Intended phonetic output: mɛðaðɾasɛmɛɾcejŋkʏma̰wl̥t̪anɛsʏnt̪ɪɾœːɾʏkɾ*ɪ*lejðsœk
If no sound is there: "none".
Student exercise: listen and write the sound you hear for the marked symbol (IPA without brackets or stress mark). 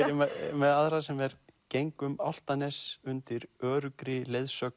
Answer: ɪ